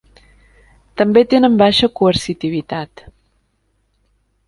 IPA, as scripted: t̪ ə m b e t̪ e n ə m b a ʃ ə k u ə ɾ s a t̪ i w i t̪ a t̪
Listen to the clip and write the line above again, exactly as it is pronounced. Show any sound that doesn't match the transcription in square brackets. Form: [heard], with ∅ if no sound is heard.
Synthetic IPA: t̪ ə m b e t̪ e n ə m b a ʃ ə k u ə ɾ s [i] t̪ i [β] i t̪ a t̪